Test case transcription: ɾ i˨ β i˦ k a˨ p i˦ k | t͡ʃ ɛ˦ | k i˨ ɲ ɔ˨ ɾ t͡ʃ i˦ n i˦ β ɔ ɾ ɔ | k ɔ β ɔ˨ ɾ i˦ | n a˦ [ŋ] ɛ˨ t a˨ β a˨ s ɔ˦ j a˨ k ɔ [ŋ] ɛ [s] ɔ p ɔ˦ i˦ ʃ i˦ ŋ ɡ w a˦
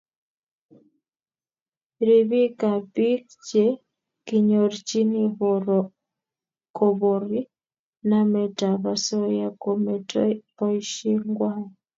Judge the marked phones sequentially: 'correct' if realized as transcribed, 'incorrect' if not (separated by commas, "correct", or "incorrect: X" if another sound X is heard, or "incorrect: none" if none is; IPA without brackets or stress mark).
incorrect: m, incorrect: m, incorrect: t